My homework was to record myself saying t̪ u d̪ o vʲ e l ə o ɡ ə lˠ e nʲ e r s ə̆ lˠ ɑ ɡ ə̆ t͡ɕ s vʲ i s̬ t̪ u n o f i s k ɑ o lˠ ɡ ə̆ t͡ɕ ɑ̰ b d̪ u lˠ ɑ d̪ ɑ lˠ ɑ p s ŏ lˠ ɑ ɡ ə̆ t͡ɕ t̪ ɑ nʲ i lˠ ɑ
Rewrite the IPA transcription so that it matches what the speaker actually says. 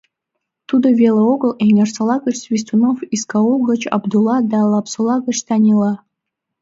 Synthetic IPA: t̪ u d̪ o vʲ e l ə o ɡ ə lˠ e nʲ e r s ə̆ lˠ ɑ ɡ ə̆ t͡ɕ s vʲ i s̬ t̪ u n o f i s k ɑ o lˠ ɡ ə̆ t͡ɕ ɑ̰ b d̪ u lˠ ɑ d̪ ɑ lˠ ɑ p s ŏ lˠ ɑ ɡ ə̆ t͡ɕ t̪ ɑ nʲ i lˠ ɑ

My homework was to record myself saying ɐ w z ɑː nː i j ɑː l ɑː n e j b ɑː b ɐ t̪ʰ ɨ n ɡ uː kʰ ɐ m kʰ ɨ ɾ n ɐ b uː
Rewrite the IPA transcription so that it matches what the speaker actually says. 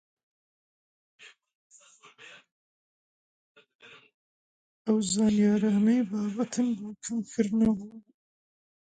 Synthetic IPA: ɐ w z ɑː n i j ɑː ɾ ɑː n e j b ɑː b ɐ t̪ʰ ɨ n b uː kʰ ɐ m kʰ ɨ ɾ n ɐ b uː

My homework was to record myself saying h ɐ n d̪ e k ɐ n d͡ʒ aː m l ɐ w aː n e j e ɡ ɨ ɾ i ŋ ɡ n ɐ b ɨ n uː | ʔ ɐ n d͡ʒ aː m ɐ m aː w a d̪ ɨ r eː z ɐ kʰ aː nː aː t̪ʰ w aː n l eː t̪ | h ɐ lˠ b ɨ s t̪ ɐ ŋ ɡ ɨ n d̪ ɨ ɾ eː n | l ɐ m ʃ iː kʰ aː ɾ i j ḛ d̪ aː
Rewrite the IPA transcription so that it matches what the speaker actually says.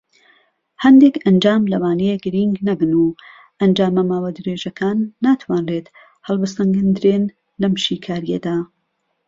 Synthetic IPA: h ɐ n d̪ e k ɐ n d͡ʒ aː m l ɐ w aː n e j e ɡ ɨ ɾ i ŋ ɡ n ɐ b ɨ n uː | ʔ ɐ n d͡ʒ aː m ɐ m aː w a d̪ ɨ ɾ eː ʒ ɐ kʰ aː nː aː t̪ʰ w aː n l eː t̪ | h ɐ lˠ b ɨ s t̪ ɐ ŋ ɡ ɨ n d̪ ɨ ɾ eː n | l ɐ m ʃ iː kʰ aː ɾ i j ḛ d̪ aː

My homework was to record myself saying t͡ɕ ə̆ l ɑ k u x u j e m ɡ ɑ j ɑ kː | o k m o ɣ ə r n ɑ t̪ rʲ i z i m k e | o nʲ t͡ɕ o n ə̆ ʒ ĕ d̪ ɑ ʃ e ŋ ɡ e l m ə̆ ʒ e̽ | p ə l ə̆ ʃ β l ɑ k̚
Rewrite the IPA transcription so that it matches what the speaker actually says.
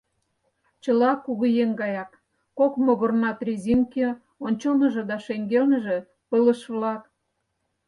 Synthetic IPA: t͡ɕ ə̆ l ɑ k u ɣ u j e ŋ ɡ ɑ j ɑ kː | o k m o ɣ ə r n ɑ t̪ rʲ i z i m k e | o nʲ t͡ɕ o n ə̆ ʒ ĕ d̪ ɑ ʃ e ŋ ɡ e l n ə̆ ʒ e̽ | p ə l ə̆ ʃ β l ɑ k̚

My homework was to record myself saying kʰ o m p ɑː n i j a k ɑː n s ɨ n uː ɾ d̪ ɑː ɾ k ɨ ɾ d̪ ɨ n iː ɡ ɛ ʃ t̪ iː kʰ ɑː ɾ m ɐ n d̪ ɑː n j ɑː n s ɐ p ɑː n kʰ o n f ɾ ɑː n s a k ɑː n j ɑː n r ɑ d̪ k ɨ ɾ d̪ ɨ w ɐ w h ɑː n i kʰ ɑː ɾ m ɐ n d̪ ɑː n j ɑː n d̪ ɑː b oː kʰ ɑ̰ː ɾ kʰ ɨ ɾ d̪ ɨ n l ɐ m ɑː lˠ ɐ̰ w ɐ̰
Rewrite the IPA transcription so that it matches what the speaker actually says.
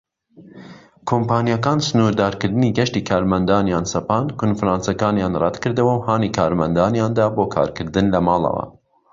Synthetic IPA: kʰ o m p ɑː n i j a k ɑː n s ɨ n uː ɾ d̪ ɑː ɾ k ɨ ɾ d̪ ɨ n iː ɡ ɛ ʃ t̪ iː kʰ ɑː ɾ m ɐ n d̪ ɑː n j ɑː n s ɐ p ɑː n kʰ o n f ɾ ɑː n s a k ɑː n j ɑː n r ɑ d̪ k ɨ ɾ d̪ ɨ w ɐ w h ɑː n i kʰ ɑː ɾ m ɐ n d̪ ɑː n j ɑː n d̪ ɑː b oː kʰ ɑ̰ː ɾ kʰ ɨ ɾ d̪ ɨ n l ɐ m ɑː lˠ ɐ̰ w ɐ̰

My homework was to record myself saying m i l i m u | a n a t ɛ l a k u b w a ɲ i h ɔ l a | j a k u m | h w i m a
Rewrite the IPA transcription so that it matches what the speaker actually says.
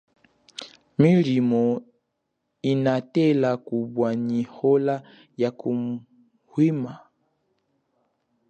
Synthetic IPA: m i l i m ɔ | i n a t ɛ l a k u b w a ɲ i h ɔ l a | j a k u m | h w i m a

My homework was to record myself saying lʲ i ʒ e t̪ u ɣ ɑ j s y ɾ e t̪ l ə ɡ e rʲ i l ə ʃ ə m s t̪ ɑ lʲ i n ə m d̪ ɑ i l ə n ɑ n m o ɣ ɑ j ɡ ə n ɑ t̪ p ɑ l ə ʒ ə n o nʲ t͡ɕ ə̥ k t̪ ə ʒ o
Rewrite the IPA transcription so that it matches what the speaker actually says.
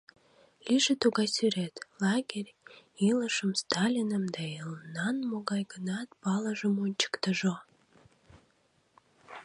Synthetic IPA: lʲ i ʒ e t̪ u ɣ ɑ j s y ɾ e t̪ l ɑ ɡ e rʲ i l ə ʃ ə m s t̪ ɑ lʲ i n ə m d̪ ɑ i l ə n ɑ n m o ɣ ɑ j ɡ ə n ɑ t̪ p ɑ l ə ʒ ə m o nʲ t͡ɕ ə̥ k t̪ ə ʒ o

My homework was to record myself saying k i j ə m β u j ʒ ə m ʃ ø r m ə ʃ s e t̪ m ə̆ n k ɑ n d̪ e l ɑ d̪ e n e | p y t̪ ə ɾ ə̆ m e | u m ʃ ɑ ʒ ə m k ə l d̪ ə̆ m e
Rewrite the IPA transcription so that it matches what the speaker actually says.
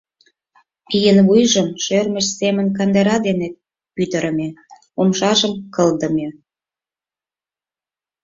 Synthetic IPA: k i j ə n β u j ʒ ə m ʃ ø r m ə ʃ s e m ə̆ n k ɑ n d̪ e ɾ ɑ d̪ e n e | p y t̪ ə ɾ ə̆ m e | o m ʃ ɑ ʒ ə m k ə l d̪ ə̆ m e

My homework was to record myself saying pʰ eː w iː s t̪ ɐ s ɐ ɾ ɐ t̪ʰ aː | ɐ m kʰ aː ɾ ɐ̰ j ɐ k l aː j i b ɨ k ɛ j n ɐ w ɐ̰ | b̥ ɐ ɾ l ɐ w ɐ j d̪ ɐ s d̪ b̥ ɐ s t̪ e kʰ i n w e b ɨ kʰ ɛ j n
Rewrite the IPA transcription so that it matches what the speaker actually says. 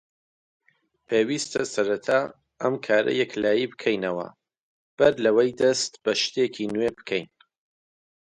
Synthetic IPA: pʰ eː w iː s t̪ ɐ s ɐ ɾ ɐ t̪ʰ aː | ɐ m kʰ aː ɾ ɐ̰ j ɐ k l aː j i b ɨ kʰ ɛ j n ɐ w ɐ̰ | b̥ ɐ ɾ l ɐ w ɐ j d̪ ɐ s t̪ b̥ ɐ ʃ t̪ e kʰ i n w e b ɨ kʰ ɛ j n

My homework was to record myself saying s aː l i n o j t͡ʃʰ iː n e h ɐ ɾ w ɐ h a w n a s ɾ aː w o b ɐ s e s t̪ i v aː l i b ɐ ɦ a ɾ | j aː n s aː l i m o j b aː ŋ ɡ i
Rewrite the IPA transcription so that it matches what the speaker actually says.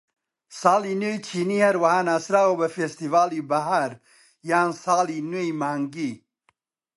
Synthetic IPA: s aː l i n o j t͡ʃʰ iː n i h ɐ ɾ w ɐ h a n a s ɾ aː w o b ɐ f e s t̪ i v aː l i b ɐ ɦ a ɾ | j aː n s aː l i n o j m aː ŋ ɡ i

